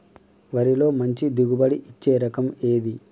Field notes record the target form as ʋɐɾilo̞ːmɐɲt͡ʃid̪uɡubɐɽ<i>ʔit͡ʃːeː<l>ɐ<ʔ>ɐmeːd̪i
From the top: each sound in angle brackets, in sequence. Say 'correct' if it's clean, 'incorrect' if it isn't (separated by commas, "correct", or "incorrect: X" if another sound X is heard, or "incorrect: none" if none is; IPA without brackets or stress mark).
correct, incorrect: ɾ, incorrect: k